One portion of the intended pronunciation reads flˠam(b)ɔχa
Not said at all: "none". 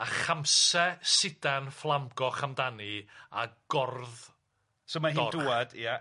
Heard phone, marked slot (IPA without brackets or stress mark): ɡ